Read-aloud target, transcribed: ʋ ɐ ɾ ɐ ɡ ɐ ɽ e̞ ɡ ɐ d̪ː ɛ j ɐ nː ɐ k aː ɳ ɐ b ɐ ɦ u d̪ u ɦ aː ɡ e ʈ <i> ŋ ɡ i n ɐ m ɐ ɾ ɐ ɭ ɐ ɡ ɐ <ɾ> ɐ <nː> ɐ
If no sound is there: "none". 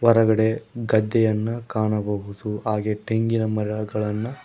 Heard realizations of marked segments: e, ɭ, nː

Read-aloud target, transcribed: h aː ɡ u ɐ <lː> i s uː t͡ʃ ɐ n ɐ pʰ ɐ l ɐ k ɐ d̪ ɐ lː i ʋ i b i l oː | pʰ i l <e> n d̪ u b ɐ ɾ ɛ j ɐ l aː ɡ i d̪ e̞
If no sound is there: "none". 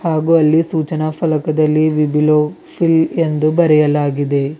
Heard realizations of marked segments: lː, e

